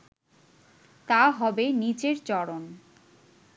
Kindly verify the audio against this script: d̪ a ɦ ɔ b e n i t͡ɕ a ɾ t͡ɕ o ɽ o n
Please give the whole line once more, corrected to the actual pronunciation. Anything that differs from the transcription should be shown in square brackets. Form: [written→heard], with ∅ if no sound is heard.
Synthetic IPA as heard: [d̪→t̪] a ɦ ɔ b e n i t͡ɕ [a→e] ɾ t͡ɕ [o→ɔ] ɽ o n